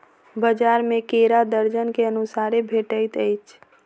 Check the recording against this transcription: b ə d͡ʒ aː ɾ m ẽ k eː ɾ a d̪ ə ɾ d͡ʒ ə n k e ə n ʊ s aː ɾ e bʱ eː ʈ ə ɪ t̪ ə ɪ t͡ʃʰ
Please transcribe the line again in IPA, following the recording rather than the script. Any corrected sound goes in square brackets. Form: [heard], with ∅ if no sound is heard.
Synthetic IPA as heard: b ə d͡ʒ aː ɾ m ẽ k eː ɾ a d̪ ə ɾ d͡ʒ ə n k e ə n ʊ s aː ɾ e bʱ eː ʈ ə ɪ t̪ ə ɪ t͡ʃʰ